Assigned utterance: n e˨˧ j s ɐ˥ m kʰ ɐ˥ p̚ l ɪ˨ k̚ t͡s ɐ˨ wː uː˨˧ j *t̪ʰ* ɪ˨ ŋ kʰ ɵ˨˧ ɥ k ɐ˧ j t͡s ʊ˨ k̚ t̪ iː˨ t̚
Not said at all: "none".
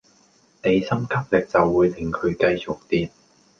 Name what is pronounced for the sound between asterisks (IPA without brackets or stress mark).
t̪ʰ